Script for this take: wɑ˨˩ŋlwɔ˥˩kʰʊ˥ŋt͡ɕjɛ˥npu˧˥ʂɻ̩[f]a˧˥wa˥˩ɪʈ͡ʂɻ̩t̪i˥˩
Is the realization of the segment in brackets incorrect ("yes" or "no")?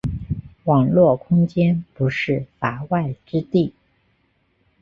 no